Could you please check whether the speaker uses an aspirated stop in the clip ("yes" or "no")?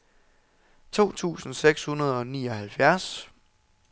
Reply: yes